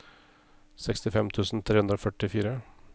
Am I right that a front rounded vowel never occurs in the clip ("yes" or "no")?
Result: no